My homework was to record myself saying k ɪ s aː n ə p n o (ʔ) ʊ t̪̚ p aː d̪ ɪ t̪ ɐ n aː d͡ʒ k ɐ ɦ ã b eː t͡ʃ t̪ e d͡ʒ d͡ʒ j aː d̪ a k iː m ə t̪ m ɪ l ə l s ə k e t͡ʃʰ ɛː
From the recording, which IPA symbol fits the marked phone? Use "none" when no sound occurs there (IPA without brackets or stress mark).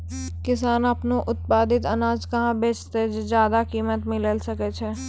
ʔ